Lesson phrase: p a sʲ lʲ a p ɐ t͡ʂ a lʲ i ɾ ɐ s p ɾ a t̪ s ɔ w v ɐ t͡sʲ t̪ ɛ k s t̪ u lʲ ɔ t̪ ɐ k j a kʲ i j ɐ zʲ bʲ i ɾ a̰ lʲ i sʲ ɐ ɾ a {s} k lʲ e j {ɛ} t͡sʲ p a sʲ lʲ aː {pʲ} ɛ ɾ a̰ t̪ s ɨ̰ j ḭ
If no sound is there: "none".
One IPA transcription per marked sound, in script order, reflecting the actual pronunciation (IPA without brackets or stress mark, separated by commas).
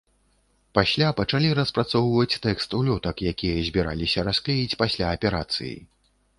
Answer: s, i, pʲ